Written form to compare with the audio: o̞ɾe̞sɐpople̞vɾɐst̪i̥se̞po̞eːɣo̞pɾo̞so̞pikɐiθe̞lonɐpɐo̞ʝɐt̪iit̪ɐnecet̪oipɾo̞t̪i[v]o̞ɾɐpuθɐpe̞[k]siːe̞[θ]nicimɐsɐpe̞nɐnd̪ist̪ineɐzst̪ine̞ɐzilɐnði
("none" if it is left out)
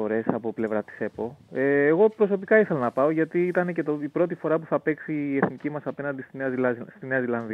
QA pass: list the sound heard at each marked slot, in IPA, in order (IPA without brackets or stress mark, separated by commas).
f, k, θ